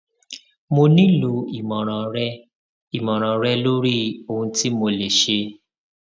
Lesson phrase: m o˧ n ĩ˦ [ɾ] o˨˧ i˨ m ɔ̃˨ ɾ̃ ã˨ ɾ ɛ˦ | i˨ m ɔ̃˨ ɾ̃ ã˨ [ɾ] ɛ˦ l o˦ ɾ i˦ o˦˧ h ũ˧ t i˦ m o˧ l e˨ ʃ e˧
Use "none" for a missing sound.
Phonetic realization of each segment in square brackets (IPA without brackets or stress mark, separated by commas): l, ɾ